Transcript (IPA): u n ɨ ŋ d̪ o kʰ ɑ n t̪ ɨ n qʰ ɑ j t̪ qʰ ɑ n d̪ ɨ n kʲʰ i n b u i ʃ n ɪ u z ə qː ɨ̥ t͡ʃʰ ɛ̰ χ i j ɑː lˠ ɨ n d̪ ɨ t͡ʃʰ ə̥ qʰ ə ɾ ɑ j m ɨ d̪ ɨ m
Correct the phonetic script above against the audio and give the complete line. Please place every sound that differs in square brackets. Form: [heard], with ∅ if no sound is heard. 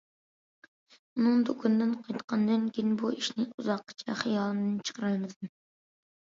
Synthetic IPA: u n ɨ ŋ d̪ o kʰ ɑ n [d̪] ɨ n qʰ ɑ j t̪ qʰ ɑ n d̪ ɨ n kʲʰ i n b u i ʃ n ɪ u z [ɑ] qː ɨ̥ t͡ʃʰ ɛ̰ χ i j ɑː lˠ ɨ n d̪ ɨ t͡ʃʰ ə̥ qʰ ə ɾ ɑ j m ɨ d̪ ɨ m